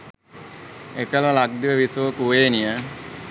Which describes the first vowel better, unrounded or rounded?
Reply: unrounded